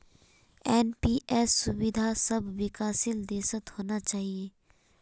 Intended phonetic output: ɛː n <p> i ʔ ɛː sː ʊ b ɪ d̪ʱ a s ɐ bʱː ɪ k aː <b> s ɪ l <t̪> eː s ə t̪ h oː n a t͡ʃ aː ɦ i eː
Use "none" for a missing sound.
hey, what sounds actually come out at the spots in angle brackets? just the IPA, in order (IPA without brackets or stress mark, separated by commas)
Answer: p, none, d̪